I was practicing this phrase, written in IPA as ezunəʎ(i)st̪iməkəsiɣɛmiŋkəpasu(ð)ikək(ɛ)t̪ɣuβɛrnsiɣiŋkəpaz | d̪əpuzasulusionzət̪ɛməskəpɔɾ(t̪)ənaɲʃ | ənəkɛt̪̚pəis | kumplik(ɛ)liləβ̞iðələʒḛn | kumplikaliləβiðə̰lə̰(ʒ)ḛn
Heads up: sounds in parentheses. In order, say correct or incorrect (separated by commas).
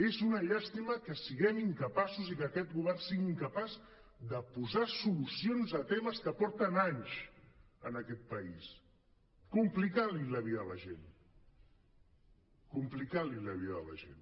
incorrect, incorrect, correct, correct, incorrect, correct